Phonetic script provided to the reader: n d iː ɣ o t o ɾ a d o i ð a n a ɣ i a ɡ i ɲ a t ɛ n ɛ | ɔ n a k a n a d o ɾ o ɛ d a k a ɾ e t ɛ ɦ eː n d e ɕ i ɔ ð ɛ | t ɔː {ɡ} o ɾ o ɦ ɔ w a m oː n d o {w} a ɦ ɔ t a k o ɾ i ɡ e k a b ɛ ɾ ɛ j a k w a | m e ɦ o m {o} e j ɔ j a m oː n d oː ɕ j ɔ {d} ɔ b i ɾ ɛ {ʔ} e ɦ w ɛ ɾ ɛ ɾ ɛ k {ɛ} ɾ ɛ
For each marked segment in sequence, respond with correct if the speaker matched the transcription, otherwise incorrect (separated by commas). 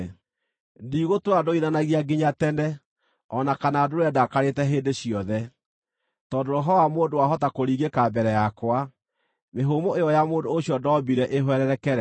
incorrect, correct, correct, correct, correct, correct